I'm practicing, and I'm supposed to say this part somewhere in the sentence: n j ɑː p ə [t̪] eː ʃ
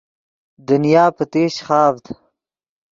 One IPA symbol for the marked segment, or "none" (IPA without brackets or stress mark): t̪